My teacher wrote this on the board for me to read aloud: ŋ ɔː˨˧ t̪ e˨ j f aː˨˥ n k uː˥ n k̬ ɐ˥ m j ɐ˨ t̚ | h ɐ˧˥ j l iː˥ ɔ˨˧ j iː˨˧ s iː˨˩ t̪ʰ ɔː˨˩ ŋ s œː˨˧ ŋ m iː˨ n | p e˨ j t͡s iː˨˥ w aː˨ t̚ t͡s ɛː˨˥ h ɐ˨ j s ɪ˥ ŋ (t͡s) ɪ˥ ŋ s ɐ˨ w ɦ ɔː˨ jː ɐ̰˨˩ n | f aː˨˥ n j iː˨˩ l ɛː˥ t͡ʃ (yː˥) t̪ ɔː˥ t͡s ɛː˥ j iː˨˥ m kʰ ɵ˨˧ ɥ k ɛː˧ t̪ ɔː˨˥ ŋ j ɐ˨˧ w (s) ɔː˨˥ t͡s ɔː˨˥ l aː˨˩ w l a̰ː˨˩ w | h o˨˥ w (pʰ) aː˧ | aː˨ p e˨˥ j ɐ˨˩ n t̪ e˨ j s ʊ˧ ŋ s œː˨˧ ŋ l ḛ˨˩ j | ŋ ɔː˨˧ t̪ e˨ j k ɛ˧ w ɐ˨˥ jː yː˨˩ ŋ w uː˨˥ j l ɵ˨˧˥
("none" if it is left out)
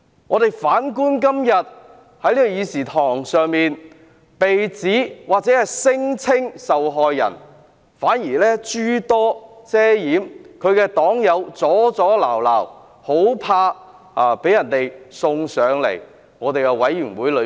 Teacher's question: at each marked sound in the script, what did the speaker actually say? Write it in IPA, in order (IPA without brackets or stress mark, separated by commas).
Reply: t͡sʰ, yː˥, t͡s, pʰ